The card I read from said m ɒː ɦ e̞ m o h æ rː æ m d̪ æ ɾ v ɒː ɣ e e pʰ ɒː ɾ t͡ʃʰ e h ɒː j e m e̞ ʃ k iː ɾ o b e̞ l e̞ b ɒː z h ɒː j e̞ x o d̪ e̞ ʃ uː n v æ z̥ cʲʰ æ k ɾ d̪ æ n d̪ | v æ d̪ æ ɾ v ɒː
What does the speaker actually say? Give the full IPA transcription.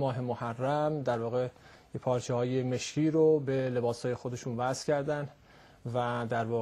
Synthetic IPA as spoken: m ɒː ɦ e̞ m o h æ rː æ m d̪ æ ɾ v ɒː ɣ e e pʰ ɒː ɾ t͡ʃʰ e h ɒː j e m e̞ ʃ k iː ɾ o b e̞ l e̞ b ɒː s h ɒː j e̞ x o d̪ e̞ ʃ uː n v æ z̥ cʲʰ æ ɾ d̪ æ n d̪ | v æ d̪ æ ɾ v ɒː